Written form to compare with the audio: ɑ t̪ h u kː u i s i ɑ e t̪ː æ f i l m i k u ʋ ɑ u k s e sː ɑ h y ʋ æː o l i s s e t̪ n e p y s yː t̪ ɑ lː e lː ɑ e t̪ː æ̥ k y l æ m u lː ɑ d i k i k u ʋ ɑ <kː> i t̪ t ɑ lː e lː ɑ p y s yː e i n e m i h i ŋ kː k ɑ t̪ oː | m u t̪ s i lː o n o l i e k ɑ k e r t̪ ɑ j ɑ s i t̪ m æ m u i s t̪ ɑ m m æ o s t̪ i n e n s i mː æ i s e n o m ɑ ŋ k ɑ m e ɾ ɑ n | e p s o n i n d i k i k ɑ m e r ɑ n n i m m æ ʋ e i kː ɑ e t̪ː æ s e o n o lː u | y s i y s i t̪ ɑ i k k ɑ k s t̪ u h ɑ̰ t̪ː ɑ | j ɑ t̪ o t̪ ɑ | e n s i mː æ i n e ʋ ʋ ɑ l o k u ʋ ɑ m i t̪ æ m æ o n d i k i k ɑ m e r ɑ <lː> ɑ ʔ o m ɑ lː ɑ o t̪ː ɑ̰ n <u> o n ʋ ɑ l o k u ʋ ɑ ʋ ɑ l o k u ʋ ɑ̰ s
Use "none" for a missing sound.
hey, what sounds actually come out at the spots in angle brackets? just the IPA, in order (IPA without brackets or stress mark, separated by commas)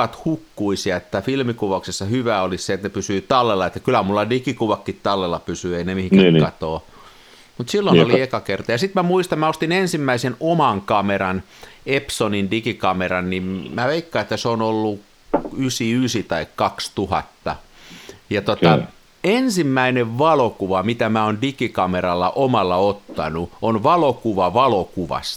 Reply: kː, lː, u